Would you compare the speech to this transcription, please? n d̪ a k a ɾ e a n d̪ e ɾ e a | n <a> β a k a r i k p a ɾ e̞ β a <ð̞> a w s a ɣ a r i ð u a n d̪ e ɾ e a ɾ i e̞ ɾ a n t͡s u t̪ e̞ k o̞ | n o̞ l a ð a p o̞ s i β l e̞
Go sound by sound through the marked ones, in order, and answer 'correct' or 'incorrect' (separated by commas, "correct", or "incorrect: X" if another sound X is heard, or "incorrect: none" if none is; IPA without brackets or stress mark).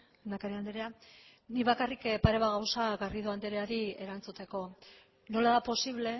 incorrect: i, incorrect: ɣ̞